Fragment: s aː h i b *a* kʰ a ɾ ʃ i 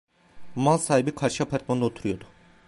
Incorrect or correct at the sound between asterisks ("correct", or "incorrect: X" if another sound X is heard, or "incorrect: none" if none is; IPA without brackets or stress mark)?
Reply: incorrect: i